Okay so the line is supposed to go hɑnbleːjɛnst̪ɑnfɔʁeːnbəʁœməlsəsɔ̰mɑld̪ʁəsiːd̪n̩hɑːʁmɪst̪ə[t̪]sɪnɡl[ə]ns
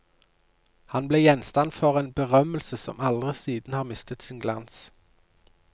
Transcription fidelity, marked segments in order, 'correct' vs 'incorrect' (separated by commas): correct, incorrect